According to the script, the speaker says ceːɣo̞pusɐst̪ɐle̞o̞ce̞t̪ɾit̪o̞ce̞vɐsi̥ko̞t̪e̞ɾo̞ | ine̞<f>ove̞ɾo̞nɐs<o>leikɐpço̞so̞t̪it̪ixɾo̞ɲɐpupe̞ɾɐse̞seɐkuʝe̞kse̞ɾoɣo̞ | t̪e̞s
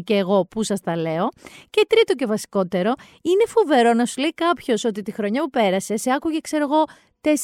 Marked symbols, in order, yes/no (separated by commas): yes, no